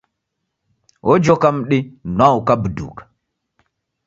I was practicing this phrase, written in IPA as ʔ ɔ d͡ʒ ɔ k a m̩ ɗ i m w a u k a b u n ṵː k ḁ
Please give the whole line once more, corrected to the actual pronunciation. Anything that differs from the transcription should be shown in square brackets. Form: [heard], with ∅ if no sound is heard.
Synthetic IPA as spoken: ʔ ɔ d͡ʒ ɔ k a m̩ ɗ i [n] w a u k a b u [d] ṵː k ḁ